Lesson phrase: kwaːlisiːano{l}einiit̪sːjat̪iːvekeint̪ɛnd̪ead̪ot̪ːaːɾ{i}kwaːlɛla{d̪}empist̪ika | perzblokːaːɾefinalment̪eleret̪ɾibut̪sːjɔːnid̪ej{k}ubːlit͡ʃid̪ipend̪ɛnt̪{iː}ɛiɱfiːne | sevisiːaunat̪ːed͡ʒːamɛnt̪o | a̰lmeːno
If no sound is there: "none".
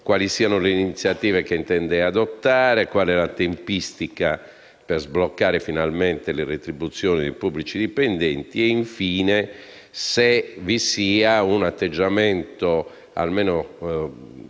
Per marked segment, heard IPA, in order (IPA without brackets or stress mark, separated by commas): l, e, t̪, p, i